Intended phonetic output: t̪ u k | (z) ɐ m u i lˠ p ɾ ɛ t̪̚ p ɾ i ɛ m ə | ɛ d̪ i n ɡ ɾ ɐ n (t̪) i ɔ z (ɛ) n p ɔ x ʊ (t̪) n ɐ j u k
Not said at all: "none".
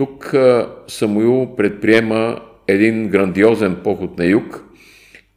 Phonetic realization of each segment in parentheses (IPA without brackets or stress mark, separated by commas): s, d̪, ɛ, t̪